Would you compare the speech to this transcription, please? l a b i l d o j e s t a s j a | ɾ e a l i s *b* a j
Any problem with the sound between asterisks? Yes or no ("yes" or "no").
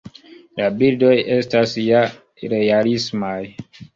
yes